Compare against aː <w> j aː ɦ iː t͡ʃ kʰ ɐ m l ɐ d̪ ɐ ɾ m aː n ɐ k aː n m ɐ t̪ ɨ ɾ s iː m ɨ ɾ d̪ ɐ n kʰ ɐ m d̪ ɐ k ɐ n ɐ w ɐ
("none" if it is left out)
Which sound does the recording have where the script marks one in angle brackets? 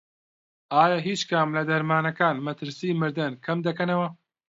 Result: none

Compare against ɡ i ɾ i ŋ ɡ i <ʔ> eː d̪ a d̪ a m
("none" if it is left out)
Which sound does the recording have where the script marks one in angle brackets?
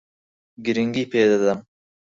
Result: p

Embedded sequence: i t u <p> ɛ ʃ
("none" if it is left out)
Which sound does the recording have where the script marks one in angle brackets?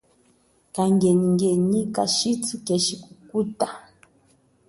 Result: k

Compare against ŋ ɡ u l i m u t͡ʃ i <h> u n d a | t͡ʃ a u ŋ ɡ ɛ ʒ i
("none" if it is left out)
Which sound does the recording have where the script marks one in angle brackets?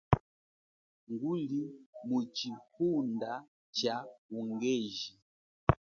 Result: h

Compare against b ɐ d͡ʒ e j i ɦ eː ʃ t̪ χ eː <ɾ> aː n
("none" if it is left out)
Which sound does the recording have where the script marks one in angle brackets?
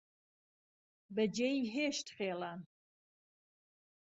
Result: l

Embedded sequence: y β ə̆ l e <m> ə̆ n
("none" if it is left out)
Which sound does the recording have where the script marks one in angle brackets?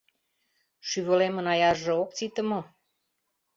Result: m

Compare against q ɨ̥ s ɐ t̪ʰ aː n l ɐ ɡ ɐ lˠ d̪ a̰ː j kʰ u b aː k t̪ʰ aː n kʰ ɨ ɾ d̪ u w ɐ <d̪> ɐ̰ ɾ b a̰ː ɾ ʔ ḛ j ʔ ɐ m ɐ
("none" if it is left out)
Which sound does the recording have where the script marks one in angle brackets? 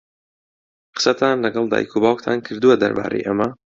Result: d̪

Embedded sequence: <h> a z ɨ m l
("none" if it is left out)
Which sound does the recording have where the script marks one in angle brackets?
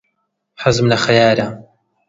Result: ħ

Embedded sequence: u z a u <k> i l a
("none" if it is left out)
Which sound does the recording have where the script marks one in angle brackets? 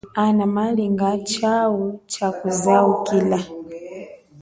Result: k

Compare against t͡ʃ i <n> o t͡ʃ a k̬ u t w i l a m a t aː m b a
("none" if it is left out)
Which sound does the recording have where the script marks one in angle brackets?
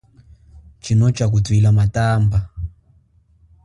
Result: n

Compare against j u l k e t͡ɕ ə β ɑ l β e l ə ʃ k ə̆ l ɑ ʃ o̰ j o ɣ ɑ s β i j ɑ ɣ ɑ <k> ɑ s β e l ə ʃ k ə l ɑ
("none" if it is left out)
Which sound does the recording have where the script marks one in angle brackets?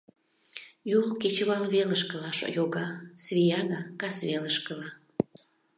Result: k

